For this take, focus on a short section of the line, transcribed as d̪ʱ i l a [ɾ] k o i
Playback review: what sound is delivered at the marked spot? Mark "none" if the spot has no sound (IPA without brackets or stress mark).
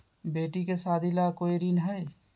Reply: none